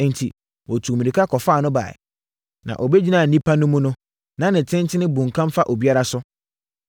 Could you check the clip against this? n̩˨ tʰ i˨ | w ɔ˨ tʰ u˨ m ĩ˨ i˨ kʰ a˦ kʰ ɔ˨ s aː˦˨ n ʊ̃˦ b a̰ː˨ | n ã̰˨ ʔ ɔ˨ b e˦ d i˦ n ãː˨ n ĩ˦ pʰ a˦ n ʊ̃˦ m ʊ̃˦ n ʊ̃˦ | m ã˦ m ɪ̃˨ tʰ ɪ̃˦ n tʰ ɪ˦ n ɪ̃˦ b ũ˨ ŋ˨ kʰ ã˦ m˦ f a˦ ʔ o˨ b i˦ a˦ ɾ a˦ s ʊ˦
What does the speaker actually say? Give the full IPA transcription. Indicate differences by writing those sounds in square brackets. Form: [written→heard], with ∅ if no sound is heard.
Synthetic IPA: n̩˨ tʰ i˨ | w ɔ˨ tʰ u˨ m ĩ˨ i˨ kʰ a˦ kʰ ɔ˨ [s→f] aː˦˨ n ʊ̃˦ b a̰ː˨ | n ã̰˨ ʔ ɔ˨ b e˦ [d→d͡ʑ] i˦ n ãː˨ n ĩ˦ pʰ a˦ n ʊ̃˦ m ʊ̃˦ n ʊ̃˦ | [m→n] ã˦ [m→n] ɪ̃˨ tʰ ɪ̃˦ n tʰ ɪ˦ n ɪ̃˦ b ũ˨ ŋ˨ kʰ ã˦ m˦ f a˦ ʔ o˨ b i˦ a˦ ɾ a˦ s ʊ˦